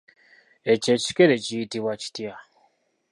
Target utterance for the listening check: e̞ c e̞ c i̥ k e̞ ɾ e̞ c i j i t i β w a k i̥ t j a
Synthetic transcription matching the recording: e̞ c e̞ c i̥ k e̞ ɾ e̞ c i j i t i β w a c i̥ t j a